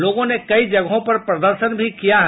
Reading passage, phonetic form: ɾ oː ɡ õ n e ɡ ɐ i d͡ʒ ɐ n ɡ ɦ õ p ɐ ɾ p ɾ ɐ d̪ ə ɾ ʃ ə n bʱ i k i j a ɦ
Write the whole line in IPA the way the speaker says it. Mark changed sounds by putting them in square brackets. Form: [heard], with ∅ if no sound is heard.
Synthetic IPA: [l] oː ɡ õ n e [k] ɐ i d͡ʒ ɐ [∅] ɡ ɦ õ p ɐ ɾ p ɾ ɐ d̪ ə ɾ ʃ ə n bʱ i k i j a ɦ

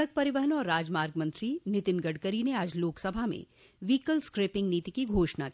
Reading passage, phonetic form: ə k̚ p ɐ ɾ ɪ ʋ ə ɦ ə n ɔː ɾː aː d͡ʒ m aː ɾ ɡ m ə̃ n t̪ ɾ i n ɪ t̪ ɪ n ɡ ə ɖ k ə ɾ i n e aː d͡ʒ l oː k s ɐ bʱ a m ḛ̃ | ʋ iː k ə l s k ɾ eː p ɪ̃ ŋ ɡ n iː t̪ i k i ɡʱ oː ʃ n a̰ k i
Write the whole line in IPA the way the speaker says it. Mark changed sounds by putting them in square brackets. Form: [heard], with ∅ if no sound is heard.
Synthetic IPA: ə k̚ p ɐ ɾ ɪ ʋ ə ɦ ə n ɔː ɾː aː d͡ʒ m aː ɾ ɡ m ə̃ n t̪ ɾ i n ɪ t̪ ɪ n ɡ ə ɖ k ə ɾ i n e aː d͡ʒ l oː k s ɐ bʱ a m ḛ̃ | ʋ iː k ə l s k ɾ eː p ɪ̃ ŋ ɡ n iː t̪ i k i ɡʱ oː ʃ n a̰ k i

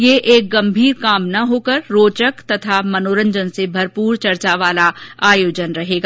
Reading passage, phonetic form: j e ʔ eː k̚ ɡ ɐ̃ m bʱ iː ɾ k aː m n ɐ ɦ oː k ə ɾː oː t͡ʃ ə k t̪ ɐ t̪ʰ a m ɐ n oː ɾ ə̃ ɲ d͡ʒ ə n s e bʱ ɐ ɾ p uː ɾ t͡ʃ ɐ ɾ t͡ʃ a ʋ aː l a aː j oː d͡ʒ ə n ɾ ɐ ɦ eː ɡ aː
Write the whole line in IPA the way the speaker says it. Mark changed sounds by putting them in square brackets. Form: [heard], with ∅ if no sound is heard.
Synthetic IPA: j e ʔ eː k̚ ɡ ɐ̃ m bʱ iː ɾ k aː m n ɐ ɦ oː k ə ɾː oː t͡ʃ ə k t̪ ɐ t̪ʰ a m ɐ n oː ɾ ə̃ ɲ d͡ʒ ə n s e bʱ ɐ ɾ p uː ɾ t͡ʃ ɐ ɾ t͡ʃ a ʋ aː l a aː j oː d͡ʒ ə n ɾ ɐ ɦ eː ɡ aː

